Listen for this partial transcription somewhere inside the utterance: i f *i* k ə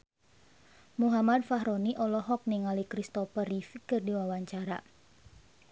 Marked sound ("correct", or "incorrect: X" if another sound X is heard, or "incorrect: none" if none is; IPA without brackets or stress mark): correct